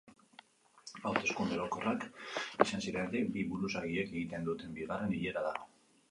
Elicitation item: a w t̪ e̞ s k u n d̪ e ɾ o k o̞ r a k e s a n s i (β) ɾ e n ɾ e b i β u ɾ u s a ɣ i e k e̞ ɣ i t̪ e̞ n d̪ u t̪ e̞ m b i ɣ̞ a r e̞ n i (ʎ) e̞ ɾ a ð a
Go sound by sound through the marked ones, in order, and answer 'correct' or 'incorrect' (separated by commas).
incorrect, correct